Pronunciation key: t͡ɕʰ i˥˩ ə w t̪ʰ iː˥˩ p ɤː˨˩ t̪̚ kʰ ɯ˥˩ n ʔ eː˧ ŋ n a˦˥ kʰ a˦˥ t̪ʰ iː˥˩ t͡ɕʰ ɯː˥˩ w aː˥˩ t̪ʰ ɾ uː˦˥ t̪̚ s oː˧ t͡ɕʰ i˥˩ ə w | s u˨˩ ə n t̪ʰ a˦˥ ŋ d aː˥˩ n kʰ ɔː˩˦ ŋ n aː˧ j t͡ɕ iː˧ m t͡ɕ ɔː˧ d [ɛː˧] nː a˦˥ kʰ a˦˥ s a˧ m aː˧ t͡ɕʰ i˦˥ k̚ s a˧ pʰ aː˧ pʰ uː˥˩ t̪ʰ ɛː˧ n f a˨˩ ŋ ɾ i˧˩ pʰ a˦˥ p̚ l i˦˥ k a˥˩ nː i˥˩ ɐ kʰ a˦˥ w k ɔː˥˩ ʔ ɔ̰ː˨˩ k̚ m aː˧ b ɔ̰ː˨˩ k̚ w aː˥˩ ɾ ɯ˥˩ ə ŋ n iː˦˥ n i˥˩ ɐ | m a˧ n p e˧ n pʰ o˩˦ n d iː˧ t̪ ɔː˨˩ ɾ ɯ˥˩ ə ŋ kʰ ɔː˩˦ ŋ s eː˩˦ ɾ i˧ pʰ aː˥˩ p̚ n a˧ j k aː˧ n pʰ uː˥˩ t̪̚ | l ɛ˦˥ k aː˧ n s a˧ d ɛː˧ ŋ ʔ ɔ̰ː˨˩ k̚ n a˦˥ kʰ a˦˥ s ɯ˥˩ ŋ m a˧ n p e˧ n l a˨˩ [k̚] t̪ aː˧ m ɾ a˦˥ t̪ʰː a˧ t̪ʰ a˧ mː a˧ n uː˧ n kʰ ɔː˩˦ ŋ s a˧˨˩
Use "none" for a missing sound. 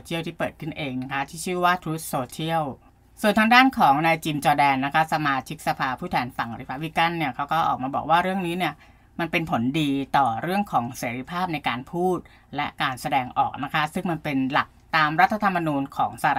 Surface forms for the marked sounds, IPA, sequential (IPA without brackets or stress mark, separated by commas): ɛː˧, k̚